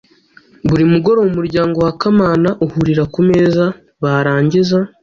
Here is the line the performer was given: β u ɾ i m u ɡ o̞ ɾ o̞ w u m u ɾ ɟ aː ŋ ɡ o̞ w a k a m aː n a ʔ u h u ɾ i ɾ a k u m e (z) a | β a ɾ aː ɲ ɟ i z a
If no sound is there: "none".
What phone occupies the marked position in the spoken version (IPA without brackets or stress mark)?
z